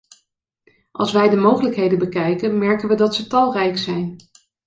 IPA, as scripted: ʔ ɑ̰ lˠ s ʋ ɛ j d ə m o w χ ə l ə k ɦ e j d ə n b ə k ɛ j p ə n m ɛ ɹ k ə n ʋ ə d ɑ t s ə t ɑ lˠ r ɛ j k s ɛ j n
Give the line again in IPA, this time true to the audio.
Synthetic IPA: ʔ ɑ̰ lˠ s ʋ ɛ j d ə m o w χ ə l ə k ɦ e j d ə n b ə k ɛ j k ə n m ɛ ɹ k ə n ʋ ə d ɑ t s ə t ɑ lˠ r ɛ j k s ɛ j n